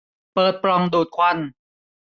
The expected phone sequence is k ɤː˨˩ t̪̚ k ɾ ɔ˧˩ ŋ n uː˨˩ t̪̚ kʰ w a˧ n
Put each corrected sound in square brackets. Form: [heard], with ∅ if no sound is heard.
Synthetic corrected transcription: [p] ɤː˨˩ t̪̚ [p] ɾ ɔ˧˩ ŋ [d] uː˨˩ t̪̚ kʰ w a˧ n